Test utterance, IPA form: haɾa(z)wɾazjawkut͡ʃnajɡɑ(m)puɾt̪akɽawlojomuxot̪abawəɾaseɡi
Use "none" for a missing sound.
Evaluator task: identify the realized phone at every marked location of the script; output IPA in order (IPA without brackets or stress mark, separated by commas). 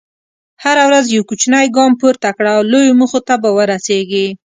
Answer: none, m